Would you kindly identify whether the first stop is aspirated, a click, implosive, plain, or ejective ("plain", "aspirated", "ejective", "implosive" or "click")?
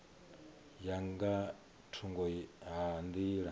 plain